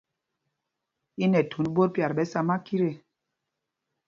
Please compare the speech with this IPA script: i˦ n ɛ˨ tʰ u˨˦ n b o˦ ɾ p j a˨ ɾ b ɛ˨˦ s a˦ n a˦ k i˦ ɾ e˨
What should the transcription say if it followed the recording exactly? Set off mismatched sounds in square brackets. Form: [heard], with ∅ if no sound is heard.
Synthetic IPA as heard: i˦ n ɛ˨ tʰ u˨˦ n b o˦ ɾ p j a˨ ɾ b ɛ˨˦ s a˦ [m] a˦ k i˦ ɾ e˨

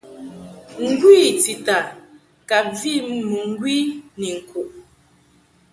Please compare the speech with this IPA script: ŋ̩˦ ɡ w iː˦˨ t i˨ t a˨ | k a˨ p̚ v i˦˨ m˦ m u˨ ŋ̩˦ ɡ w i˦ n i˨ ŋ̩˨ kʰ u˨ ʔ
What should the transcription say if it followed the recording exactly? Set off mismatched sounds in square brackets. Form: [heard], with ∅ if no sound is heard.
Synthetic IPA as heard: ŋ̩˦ ɡ w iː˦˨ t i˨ t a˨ | k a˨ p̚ v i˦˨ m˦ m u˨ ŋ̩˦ ɡ w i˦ n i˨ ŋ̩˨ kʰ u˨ ʔ

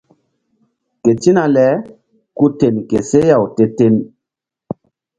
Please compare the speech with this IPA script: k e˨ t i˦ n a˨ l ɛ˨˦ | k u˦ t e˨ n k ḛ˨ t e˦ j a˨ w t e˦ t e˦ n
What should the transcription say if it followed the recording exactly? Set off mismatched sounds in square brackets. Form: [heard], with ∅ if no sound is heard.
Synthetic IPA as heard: k e˨ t i˦ n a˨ l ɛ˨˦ | k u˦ t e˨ n k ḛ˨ [s] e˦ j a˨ w t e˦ t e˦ n

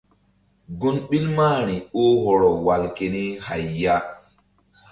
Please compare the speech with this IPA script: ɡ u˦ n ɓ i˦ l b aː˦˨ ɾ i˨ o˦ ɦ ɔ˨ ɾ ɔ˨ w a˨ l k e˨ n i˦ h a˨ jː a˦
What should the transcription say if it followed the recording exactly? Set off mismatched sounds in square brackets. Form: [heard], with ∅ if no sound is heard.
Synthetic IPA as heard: ɡ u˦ n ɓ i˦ l [m] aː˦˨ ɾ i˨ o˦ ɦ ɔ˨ ɾ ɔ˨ w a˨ l k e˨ n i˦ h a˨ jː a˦

